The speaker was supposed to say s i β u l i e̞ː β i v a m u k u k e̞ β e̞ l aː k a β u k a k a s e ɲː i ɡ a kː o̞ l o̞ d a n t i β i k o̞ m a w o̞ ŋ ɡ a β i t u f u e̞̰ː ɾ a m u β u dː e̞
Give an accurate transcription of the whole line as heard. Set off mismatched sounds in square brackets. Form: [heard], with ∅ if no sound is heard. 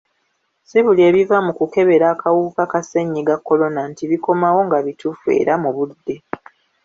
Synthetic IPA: s i β u l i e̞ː β i v a m u k u k e̞ β e̞ [ɾ] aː k a [w] u k a k a s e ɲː i ɡ a kː o̞ l o̞ [n] a n t i β i k o̞ m a w o̞ ŋ ɡ a β i t u f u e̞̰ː ɾ a m u β u dː e̞